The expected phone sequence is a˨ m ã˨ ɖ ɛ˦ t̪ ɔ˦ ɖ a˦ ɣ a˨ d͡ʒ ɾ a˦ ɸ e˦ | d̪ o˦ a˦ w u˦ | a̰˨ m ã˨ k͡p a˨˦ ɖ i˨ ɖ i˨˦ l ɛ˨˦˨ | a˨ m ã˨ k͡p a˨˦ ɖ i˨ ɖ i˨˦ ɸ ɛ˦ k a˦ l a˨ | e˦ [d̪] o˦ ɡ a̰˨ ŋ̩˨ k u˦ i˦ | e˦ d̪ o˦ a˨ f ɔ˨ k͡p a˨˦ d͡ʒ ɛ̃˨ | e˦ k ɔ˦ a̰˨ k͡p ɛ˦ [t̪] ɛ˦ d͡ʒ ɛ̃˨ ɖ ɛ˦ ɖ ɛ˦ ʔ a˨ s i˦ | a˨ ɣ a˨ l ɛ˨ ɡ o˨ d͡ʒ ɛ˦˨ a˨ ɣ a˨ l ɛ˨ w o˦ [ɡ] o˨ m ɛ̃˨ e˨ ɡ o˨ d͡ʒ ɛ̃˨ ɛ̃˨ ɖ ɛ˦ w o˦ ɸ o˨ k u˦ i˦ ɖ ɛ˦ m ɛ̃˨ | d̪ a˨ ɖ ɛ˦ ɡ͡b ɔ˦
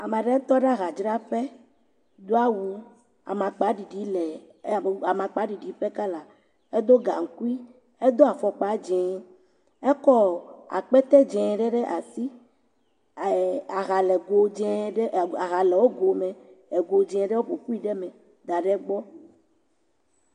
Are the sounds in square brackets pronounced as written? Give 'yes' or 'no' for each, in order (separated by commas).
yes, yes, yes